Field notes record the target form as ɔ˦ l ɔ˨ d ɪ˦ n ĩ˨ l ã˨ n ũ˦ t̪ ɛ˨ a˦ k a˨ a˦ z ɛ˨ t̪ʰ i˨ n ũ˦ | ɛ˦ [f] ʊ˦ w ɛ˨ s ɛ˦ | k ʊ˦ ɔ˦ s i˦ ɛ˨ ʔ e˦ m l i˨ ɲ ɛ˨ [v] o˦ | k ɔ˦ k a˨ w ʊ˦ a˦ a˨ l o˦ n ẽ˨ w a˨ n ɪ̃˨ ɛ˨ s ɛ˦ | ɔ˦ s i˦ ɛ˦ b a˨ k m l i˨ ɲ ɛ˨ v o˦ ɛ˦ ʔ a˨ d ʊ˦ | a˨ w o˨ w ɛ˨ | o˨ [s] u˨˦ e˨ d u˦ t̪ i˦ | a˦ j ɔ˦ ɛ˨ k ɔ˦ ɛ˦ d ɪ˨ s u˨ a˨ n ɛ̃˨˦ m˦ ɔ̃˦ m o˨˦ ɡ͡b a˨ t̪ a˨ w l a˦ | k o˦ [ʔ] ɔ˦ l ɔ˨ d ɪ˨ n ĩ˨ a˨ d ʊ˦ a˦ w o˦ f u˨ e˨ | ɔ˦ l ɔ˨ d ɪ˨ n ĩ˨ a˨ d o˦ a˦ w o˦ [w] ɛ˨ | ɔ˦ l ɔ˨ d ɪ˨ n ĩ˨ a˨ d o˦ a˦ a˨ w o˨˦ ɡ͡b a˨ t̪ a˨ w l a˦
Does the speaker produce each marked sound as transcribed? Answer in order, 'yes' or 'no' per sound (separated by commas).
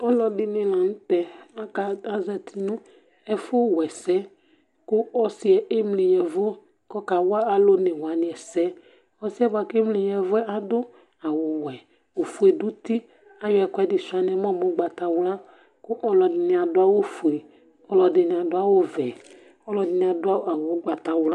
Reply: yes, yes, no, yes, no